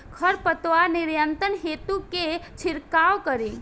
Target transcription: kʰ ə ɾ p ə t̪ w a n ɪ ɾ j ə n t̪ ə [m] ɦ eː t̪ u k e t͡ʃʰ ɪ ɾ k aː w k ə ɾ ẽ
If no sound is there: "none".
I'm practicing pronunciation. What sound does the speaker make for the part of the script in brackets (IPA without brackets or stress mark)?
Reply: n